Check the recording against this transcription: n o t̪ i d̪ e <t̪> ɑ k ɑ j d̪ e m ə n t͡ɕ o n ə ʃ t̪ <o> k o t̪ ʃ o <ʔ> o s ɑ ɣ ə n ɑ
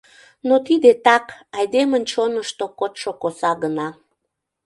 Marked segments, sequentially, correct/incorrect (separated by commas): correct, correct, incorrect